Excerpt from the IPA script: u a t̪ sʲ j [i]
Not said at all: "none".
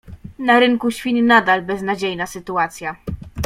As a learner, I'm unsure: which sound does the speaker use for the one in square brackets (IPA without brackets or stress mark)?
a